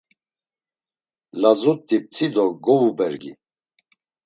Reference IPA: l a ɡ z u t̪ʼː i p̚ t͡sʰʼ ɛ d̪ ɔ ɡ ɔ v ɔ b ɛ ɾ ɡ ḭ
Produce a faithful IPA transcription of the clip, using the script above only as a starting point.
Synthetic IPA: l a z u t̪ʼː i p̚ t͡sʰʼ i d̪ ɔ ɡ ɔ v u b ɛ ɾ ɡ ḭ